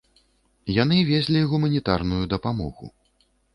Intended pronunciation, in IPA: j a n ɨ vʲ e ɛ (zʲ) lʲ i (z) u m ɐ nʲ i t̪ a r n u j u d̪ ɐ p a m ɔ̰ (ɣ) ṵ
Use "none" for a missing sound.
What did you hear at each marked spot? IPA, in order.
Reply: zʲ, ɣ, ɣ

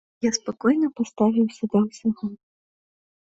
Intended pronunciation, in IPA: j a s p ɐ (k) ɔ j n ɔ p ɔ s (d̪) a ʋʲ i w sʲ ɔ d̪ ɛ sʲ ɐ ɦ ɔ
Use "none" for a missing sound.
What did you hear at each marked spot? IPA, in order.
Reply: k, t̪

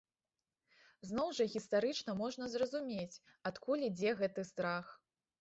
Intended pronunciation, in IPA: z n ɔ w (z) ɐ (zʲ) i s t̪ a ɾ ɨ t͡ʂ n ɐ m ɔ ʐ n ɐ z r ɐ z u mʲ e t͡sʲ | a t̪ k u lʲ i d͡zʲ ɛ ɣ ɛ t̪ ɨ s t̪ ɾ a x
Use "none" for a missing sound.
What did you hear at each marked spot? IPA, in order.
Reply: ʐ, ɣʲ

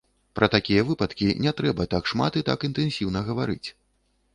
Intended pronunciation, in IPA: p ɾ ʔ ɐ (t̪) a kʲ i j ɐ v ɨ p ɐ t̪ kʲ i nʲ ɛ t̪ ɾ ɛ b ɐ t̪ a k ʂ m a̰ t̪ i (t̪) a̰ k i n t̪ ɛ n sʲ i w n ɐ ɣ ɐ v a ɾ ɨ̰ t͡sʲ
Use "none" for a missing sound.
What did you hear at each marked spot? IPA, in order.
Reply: t̪, t̪

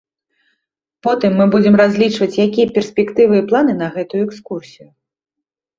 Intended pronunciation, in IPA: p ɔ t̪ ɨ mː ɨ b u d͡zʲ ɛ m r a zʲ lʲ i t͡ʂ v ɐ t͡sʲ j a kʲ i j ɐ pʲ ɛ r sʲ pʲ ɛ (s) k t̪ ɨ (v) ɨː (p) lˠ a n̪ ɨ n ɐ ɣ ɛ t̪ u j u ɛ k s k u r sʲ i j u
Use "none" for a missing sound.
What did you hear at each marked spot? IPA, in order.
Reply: none, v, p

